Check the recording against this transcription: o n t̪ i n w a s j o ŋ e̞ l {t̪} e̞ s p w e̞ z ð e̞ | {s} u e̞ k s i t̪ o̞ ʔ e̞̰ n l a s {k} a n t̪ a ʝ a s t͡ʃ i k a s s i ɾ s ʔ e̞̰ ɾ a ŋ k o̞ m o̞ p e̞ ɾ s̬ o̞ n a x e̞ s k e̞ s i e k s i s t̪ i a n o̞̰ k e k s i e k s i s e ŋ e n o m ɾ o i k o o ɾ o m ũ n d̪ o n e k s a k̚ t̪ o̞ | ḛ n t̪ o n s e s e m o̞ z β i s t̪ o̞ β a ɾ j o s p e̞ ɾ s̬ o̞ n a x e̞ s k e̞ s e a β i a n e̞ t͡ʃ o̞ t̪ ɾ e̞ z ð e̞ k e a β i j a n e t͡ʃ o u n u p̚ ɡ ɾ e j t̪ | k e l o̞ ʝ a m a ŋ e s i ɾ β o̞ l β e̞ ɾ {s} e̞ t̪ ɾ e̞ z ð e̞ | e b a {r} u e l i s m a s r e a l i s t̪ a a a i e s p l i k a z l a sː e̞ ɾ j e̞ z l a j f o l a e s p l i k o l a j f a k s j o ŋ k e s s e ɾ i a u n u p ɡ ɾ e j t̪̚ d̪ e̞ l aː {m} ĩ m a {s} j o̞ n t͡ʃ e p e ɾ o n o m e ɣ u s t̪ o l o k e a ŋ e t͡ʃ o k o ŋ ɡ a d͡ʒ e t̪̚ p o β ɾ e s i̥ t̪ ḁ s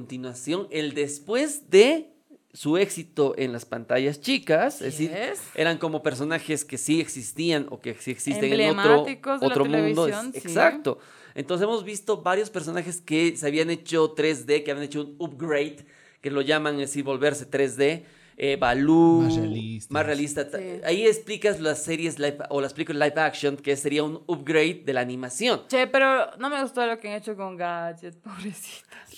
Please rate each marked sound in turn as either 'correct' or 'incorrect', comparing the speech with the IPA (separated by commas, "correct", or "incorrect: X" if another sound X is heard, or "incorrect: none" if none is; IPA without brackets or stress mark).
incorrect: d̪, correct, incorrect: p, correct, incorrect: l, incorrect: n, correct